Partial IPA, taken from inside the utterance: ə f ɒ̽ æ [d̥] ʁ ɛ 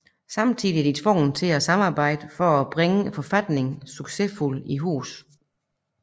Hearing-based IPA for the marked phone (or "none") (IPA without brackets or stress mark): b̥